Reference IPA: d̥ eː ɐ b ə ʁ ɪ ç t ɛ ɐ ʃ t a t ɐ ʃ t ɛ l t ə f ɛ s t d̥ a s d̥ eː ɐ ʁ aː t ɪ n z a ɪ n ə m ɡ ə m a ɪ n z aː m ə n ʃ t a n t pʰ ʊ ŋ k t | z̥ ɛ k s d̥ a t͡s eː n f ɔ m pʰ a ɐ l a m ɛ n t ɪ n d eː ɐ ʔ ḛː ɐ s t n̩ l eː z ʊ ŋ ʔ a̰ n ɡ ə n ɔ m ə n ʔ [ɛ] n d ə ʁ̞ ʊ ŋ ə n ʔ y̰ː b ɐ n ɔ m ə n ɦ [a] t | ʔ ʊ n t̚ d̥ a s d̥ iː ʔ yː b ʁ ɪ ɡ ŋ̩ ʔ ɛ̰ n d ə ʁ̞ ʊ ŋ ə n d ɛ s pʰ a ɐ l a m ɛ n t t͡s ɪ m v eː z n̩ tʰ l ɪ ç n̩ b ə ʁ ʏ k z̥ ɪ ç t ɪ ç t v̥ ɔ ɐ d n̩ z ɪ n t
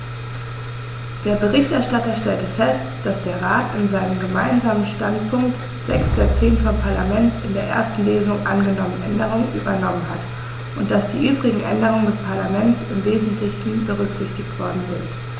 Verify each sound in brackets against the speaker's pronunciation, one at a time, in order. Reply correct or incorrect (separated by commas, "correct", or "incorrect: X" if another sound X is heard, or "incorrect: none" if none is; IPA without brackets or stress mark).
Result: correct, correct